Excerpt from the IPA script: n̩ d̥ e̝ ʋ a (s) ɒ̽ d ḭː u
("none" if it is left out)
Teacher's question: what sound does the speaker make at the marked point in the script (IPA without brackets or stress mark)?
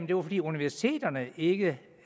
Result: f